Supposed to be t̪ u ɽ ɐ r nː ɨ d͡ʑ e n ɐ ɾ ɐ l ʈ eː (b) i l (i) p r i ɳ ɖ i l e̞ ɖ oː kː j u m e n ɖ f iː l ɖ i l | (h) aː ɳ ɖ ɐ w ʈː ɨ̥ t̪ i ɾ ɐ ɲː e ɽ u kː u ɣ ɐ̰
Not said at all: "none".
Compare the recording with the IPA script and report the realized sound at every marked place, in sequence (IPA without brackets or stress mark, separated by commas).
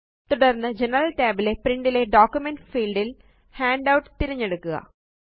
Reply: b, e, h